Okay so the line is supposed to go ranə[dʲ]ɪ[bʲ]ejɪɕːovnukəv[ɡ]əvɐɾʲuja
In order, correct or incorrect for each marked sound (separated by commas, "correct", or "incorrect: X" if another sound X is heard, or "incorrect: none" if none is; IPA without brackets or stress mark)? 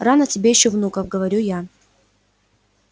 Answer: incorrect: tʲ, correct, correct